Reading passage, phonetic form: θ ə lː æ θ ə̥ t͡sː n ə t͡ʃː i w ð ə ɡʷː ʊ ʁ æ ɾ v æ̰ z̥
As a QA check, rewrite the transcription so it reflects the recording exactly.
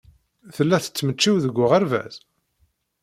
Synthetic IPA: θ ə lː æ θ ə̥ t͡sː m ə t͡ʃː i w ð ə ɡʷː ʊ ʁ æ ɾ v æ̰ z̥